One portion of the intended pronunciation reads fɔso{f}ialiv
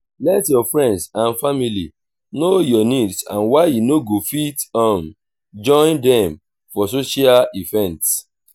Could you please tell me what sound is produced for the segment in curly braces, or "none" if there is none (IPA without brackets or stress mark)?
ʃ